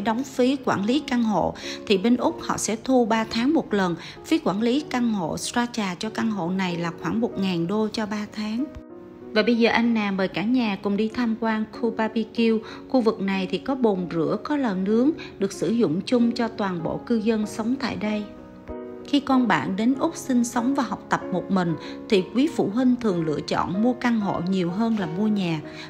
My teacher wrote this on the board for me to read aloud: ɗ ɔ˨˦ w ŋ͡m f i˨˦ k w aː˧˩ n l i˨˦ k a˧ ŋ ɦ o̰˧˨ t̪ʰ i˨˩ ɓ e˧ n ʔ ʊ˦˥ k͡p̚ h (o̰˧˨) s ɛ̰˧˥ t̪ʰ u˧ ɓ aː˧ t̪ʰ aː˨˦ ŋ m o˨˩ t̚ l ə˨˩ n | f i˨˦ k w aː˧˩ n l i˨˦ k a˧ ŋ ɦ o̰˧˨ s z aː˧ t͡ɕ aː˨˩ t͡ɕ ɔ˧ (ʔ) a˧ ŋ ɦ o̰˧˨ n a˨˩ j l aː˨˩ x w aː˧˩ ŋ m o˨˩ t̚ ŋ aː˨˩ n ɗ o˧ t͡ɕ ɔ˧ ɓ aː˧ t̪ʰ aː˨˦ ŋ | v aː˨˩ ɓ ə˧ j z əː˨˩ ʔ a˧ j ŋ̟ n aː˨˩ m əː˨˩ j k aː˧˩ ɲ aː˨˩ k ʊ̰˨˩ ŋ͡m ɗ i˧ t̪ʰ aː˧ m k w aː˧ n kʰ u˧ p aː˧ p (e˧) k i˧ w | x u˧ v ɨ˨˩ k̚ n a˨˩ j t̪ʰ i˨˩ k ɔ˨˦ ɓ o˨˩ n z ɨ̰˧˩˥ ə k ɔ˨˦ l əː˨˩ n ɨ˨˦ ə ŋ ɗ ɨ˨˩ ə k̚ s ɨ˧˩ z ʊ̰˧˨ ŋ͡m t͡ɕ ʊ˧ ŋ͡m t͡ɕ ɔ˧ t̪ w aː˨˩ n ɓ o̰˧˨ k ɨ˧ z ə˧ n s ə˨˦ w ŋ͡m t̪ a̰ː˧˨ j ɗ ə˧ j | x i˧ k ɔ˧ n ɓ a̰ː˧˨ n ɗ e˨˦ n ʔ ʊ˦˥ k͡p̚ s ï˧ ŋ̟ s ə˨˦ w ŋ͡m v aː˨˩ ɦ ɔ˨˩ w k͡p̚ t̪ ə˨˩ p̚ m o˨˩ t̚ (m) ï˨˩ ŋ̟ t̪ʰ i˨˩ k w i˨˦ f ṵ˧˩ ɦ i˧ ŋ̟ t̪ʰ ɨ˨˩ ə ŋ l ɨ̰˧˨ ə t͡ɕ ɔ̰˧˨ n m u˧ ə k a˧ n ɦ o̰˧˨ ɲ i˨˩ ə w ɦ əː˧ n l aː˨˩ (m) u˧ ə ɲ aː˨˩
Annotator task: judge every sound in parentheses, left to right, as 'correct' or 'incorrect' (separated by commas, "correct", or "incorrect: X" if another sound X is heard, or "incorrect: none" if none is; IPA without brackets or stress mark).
incorrect: ɔ̰˧˨, incorrect: k, incorrect: i˧, correct, correct